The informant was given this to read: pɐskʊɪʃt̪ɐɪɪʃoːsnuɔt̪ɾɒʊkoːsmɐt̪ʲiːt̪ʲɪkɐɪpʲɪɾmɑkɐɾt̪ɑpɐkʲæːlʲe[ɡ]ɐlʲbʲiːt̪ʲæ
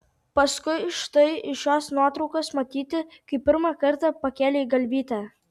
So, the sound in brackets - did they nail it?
yes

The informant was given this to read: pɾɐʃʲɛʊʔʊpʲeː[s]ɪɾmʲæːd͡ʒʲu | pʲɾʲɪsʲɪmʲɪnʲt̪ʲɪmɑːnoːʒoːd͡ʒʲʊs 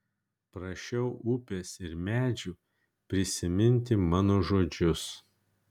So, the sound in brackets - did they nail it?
yes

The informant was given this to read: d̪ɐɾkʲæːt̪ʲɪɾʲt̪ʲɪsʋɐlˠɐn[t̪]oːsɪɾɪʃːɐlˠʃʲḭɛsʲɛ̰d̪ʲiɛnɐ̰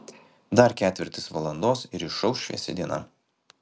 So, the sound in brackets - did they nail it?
no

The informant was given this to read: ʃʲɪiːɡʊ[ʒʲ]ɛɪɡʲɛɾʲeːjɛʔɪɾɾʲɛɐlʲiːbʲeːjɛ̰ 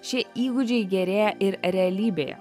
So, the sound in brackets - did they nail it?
no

